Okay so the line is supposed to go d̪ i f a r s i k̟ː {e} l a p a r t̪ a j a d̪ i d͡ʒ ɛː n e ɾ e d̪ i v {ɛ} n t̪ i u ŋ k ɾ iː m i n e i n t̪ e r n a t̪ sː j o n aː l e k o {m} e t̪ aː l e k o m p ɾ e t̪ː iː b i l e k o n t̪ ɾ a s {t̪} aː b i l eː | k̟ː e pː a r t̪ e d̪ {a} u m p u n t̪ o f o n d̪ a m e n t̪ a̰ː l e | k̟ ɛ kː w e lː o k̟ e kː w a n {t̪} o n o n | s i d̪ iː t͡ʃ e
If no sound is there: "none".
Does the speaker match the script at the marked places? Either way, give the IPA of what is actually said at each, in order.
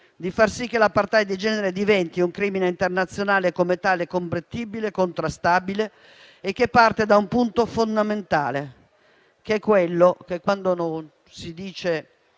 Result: e, ɛ, m, t̪, a, d̪

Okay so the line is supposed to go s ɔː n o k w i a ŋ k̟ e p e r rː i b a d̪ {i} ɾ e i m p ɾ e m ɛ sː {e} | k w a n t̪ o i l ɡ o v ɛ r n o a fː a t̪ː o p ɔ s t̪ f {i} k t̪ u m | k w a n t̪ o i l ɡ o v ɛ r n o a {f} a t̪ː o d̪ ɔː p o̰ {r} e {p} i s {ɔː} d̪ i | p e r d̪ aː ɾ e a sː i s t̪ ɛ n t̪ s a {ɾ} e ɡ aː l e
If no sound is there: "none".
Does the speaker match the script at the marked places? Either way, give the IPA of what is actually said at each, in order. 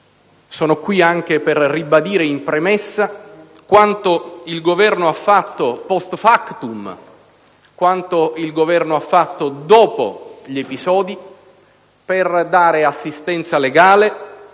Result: iː, a, a, fː, ʎ, p, ɔː, l

